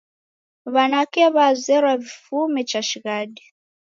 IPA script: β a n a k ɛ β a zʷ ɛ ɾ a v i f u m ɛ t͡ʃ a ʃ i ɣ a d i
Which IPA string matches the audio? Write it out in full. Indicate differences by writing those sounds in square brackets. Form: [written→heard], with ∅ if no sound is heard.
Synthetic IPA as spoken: β a n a k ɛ β a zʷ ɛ ɾ a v i f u m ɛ t͡ʃ a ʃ i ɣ a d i